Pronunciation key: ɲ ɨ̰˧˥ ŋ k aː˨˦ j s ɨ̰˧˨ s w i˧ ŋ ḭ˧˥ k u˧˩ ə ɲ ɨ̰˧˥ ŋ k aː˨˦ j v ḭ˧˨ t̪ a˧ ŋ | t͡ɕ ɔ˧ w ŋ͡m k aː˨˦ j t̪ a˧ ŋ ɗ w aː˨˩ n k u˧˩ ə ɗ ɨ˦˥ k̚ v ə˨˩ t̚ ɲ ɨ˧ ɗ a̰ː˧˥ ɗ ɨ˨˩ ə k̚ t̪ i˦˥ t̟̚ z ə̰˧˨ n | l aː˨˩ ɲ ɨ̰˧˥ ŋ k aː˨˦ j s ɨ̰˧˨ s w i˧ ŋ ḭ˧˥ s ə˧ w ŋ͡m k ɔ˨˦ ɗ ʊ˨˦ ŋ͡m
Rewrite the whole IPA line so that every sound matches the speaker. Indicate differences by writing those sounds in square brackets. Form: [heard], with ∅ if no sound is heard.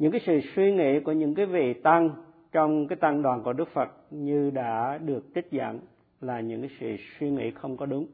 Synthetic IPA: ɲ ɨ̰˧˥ ŋ k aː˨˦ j s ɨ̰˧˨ s w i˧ ŋ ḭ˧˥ k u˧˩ ə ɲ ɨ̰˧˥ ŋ k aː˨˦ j v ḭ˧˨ t̪ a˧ ŋ | t͡ɕ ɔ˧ w ŋ͡m k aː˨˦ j t̪ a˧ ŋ ɗ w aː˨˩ n k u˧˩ ə ɗ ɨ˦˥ k̚ [f] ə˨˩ t̚ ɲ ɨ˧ ɗ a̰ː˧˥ ɗ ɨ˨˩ ə k̚ t̪ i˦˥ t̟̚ z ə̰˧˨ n | l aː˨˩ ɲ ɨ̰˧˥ ŋ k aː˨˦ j s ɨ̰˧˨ s w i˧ ŋ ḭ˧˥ [x] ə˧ w ŋ͡m k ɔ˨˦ ɗ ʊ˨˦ ŋ͡m